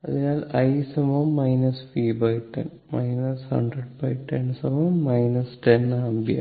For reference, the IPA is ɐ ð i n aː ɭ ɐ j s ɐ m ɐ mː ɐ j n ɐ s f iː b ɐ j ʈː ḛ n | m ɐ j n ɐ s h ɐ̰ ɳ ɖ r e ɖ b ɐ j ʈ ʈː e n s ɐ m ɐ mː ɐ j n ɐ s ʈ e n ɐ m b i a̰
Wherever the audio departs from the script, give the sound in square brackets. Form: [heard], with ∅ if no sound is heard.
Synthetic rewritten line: ɐ ð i n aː [l] ɐ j s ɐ m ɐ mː ɐ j n ɐ s f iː b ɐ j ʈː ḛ n | m ɐ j n ɐ s h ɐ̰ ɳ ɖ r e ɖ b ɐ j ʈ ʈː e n s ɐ m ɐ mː ɐ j n ɐ s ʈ e n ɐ m b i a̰